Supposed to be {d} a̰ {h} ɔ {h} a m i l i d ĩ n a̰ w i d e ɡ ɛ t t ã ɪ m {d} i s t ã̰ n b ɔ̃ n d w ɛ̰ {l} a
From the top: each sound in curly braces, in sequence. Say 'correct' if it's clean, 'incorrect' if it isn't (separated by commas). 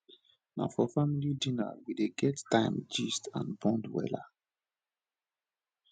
incorrect, incorrect, incorrect, incorrect, correct